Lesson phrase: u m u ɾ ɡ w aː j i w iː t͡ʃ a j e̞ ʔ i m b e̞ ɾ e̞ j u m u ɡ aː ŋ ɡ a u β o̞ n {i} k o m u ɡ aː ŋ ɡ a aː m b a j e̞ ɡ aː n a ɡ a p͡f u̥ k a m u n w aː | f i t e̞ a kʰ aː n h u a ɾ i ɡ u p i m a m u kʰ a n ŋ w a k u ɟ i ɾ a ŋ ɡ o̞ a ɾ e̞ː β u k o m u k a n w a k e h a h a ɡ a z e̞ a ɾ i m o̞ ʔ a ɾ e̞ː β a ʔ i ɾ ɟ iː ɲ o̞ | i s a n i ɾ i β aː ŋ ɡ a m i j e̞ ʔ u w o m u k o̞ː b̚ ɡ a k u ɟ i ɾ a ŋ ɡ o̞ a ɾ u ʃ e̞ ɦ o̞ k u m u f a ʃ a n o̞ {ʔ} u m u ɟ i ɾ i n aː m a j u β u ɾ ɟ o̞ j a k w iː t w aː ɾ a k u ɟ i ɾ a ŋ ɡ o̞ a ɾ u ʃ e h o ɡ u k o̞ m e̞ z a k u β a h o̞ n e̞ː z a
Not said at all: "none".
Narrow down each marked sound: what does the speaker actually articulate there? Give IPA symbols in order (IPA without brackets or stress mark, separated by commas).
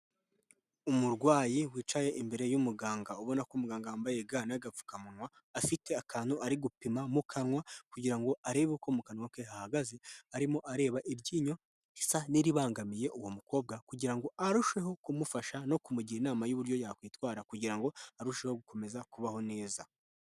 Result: a, k